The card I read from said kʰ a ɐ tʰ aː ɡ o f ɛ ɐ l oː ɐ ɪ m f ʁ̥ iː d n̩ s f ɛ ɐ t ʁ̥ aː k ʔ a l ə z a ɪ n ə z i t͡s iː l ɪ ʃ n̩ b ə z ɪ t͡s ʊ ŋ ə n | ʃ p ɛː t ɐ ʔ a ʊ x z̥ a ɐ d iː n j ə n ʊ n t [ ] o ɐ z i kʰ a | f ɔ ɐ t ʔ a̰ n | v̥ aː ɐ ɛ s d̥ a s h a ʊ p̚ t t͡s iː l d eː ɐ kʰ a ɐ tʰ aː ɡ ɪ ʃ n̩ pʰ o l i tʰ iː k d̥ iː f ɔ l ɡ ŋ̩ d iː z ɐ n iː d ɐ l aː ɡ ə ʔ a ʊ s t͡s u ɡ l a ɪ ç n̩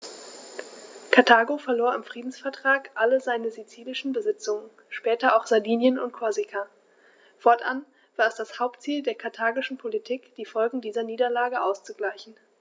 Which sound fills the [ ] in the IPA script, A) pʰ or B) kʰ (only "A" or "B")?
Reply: B